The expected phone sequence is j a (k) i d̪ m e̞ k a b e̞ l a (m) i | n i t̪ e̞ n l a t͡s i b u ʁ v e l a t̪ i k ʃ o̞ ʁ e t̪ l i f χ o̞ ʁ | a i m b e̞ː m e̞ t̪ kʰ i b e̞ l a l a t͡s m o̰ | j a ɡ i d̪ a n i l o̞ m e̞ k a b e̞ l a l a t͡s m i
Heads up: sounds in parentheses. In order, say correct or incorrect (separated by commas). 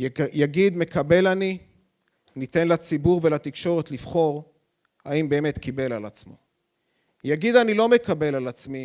incorrect, incorrect